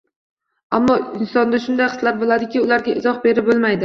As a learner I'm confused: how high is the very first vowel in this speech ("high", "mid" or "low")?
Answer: low